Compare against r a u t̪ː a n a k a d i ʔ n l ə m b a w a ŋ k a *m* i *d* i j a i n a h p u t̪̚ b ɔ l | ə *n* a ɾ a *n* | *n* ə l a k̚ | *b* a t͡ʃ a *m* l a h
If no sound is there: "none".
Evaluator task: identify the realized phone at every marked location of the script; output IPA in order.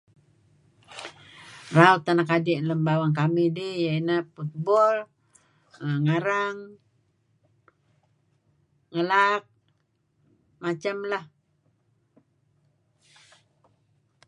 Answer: m, d, ŋ, ŋ, ŋ, m, m

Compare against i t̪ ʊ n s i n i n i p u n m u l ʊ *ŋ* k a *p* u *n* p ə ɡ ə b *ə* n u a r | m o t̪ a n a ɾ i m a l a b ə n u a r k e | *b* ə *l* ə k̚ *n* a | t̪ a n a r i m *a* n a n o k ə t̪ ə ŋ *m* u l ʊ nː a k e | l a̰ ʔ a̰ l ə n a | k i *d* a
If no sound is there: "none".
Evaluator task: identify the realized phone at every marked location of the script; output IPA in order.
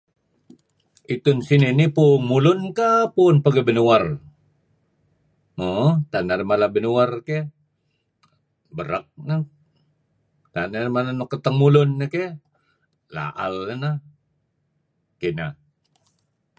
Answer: n, p, n, ə, b, ɾ, n, a, m, n

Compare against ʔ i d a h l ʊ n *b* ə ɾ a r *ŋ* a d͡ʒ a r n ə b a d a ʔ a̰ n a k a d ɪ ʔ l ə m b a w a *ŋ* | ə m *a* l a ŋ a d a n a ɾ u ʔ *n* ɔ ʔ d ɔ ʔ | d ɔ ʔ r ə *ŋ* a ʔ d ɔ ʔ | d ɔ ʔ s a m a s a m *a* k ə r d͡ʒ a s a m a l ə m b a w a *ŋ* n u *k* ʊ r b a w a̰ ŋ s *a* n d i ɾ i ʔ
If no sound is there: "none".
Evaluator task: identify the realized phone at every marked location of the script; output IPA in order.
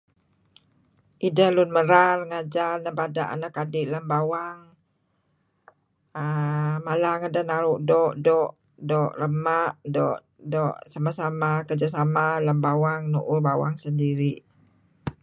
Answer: m, ŋ, ŋ, a, d, m, a, ŋ, ʔ, ə

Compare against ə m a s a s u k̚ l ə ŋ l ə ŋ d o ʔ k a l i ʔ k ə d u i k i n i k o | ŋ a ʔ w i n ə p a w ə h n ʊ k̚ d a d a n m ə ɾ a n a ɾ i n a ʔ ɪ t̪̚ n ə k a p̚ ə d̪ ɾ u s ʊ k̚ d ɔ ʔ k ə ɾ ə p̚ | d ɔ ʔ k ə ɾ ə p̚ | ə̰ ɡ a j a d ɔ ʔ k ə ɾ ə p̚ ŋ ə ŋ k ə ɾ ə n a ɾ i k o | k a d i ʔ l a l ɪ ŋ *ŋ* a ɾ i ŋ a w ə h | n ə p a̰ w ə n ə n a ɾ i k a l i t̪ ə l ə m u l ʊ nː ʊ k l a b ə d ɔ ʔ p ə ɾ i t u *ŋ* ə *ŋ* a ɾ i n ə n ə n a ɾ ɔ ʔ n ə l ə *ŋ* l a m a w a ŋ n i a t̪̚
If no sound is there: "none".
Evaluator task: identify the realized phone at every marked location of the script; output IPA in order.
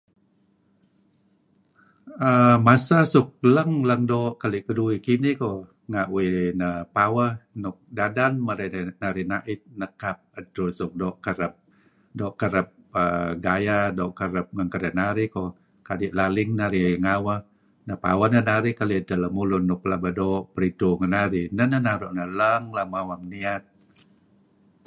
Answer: n, ŋ, n, ŋ

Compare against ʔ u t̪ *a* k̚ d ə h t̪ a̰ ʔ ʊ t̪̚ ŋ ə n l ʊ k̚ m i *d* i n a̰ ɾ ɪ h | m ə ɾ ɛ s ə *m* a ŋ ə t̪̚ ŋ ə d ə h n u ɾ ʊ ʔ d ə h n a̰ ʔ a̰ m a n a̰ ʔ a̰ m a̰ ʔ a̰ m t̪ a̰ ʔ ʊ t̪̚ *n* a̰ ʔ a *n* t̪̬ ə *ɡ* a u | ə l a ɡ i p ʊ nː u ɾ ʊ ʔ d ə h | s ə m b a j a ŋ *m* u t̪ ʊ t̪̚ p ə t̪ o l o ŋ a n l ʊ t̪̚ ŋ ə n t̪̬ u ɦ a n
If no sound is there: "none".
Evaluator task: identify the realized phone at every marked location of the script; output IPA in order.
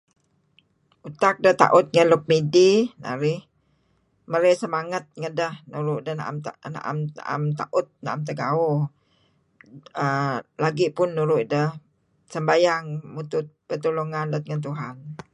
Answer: a, d, m, n, m, ɡ, m

